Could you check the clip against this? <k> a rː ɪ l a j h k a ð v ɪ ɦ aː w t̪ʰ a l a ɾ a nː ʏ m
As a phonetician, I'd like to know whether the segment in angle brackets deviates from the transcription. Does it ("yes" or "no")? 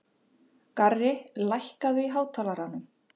no